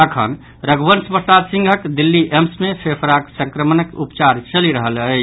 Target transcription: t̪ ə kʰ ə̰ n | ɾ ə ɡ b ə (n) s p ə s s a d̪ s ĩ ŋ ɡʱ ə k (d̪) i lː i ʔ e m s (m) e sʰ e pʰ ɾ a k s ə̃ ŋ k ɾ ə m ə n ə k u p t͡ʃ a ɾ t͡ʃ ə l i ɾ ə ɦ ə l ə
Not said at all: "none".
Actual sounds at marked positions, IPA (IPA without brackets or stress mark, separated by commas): n, d̪, m